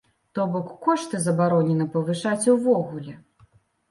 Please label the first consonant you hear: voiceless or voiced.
voiceless